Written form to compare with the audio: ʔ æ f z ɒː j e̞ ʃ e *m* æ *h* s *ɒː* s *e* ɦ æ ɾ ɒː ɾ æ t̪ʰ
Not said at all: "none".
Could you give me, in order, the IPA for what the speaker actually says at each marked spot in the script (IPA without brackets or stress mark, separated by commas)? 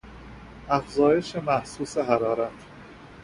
m, h, uː, e